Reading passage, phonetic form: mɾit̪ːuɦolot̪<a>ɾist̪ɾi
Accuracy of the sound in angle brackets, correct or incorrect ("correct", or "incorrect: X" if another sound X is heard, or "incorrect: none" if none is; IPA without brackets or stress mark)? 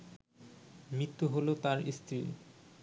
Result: correct